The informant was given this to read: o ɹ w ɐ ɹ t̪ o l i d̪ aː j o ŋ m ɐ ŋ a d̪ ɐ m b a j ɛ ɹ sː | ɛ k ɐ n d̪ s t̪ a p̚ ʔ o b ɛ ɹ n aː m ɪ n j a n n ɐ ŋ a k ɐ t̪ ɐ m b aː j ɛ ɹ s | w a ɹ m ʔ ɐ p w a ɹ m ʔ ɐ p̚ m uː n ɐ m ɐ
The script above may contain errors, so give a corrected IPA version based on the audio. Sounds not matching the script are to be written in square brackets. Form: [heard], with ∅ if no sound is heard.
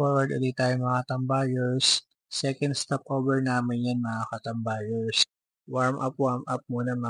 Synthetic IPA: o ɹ w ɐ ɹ [d̪] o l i [t̪] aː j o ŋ m ɐ ŋ a [t̪] ɐ m b a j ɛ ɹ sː | ɛ k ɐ n d̪ s t̪ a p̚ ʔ o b ɛ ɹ n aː m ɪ n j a n [m] ɐ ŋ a k ɐ t̪ ɐ m b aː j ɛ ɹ s | w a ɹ m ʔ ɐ p w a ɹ m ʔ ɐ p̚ m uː n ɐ m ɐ